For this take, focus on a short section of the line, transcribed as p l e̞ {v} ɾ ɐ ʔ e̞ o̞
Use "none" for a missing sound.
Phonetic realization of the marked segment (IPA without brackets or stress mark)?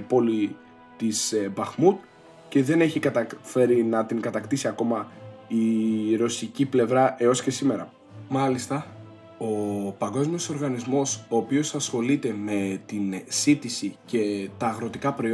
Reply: v